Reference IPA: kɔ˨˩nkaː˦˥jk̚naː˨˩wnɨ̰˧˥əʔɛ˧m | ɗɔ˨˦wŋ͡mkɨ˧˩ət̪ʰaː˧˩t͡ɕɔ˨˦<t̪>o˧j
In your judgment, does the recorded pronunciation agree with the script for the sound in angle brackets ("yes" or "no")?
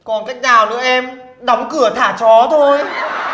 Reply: no